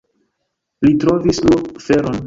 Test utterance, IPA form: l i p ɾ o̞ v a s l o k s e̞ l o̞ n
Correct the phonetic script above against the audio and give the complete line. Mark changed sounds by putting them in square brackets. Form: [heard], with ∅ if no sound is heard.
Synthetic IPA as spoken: l i [t] ɾ o̞ v [i] s l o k [f] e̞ [ɾ] o̞ n